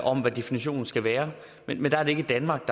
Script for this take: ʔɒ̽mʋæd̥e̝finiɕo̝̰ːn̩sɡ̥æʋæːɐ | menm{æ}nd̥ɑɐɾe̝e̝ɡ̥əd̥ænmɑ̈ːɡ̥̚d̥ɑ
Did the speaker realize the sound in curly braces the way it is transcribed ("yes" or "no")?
no